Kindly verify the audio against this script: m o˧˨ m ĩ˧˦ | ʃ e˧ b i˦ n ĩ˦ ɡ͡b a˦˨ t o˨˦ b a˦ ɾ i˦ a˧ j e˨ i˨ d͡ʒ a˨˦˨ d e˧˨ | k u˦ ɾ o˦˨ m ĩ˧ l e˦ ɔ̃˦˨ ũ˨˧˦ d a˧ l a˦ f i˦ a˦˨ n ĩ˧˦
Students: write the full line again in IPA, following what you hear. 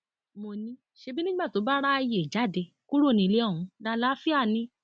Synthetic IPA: m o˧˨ n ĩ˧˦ | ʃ e˧ b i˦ n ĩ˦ ɡ͡b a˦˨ t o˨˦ b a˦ ɾ a˦ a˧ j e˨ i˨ d͡ʒ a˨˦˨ d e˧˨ | k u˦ ɾ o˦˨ n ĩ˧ l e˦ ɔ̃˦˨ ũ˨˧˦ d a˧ l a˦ f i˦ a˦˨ n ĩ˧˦